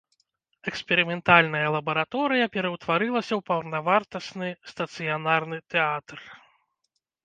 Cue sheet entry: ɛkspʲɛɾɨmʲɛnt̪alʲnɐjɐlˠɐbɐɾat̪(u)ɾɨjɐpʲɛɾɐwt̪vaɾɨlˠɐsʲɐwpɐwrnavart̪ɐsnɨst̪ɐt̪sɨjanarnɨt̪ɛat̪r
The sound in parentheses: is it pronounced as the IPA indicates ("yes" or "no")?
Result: no